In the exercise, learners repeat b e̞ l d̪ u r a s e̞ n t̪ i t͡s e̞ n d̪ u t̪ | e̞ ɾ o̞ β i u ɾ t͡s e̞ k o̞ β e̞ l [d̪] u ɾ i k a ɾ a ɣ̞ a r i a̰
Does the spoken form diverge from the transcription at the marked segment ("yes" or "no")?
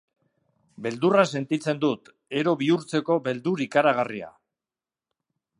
no